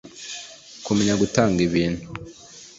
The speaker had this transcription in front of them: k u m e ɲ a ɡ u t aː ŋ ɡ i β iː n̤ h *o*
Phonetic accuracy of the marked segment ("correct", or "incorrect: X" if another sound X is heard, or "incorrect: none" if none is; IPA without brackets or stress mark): incorrect: u